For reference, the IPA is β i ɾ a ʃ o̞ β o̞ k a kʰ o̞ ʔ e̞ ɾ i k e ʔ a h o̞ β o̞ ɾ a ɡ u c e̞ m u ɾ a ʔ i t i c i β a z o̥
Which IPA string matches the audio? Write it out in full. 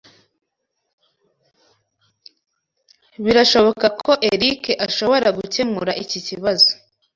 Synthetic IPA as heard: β i ɾ a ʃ o̞ β o̞ k a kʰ o̞ ʔ e̞ ɾ i k e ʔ a ʃ o̞ β o̞ ɾ a ɡ u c e̞ m u ɾ a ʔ i c i c i β a z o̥